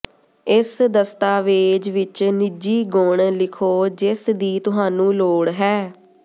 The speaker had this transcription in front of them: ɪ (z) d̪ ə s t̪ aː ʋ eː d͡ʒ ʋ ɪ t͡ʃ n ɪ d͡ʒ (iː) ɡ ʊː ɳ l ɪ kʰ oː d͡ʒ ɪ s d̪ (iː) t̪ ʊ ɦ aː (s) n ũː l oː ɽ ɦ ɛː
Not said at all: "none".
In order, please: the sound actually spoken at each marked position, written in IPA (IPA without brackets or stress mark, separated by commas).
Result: s, iː, iː, none